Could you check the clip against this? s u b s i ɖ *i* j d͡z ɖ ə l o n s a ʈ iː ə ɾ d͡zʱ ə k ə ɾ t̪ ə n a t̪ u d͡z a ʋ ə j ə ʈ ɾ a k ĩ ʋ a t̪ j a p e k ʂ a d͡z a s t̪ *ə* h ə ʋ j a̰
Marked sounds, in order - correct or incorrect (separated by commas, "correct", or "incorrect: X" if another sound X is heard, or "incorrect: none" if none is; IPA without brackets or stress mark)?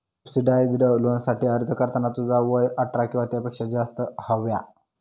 incorrect: a, correct